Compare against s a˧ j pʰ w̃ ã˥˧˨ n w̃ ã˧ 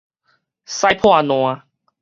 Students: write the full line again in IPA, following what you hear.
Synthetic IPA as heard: s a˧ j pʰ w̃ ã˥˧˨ n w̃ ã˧